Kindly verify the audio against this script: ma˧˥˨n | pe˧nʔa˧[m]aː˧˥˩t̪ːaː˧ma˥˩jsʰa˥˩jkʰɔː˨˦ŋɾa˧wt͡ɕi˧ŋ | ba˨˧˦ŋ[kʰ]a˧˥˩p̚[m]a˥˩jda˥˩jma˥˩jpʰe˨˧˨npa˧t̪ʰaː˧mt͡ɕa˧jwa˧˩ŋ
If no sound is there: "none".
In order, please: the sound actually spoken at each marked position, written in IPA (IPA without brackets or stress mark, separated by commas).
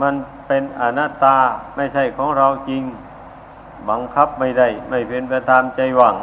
n, kʰ, m